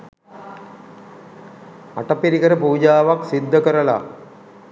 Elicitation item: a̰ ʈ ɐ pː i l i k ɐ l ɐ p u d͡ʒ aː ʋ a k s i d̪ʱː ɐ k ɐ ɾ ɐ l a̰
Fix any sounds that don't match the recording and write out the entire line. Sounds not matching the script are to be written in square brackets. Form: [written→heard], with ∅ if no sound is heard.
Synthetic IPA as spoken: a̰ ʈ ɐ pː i [l→ɾ] i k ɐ [l→ɾ] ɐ p [u→uː] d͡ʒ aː ʋ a k s i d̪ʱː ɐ k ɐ ɾ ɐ l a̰